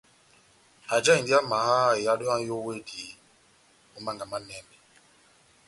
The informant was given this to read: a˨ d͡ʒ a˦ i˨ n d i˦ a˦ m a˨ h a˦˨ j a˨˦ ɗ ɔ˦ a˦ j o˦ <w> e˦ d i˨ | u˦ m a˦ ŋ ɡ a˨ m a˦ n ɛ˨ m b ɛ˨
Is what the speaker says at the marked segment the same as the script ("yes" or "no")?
yes